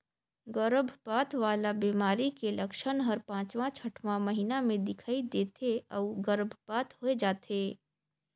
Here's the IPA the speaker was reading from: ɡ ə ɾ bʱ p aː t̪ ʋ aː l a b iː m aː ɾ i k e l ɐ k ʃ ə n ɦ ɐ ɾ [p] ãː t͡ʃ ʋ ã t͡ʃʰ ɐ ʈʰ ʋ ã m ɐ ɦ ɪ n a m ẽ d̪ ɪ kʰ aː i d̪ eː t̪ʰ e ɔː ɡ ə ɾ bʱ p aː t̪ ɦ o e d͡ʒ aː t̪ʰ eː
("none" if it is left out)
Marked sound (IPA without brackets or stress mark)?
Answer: p